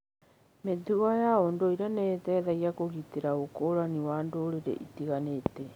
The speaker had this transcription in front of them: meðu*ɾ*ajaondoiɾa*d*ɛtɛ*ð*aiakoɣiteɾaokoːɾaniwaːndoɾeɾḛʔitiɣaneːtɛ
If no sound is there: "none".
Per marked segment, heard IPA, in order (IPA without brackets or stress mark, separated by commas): none, n, ð